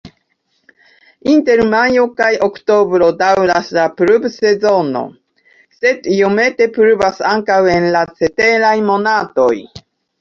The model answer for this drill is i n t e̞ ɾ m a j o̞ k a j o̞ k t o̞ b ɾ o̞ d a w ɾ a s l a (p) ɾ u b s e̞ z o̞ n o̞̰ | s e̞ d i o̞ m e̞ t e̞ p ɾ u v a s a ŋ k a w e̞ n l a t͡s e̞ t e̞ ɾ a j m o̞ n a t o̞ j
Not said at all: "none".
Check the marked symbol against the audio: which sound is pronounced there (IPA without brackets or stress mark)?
p